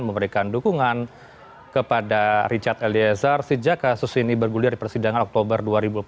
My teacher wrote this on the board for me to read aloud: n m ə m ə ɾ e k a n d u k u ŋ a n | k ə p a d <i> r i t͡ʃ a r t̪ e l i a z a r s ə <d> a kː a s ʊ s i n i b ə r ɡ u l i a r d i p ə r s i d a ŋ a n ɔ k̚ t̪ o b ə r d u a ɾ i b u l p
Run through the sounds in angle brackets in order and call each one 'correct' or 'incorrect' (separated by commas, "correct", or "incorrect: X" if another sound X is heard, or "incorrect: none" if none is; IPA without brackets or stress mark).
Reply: incorrect: a, incorrect: d͡ʒ